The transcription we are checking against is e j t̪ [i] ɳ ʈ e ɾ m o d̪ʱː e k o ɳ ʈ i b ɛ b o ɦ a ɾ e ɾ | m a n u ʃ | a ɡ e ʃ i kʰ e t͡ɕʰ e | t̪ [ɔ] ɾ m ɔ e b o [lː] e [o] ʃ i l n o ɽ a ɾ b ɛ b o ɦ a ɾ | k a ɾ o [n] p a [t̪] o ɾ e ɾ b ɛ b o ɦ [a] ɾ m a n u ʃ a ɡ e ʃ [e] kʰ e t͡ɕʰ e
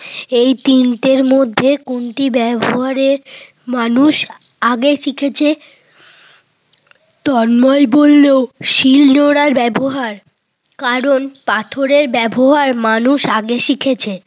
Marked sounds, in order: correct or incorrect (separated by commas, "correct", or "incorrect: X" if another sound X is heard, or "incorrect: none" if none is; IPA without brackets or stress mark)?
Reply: correct, correct, correct, correct, correct, incorrect: t̪ʰ, correct, incorrect: i